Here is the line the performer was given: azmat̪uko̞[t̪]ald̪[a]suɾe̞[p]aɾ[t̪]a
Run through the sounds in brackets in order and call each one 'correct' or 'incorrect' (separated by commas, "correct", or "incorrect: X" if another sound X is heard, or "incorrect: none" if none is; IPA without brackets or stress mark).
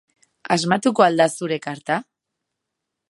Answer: incorrect: none, correct, incorrect: k, correct